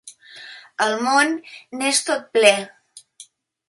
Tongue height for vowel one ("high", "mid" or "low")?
mid